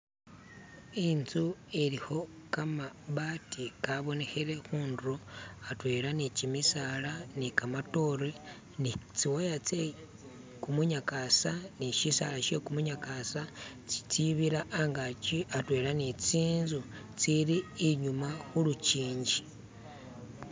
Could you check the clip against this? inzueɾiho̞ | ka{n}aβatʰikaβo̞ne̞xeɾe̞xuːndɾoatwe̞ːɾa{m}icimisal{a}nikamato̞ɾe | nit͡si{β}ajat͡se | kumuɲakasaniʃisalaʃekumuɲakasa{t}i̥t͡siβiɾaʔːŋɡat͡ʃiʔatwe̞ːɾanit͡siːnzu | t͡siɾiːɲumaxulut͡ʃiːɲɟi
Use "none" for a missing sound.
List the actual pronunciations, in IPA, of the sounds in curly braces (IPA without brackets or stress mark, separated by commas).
m, n, a, w, t͡s